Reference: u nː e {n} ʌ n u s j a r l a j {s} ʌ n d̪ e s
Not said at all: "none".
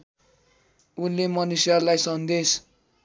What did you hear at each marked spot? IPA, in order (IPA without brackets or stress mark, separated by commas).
m, s